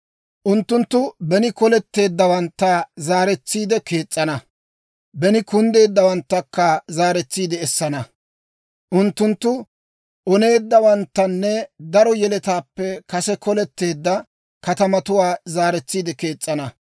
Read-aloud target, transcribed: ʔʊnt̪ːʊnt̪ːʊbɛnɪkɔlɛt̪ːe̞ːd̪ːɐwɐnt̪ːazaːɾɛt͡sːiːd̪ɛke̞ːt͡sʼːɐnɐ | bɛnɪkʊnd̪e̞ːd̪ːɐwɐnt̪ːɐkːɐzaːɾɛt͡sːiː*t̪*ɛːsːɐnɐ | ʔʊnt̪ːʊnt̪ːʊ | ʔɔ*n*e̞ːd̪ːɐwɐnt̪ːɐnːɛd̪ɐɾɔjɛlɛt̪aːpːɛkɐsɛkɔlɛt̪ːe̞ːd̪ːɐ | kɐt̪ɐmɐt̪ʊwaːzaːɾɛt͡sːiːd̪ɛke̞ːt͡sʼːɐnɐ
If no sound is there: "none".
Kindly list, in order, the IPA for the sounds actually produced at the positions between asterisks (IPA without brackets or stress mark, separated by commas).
d̪, n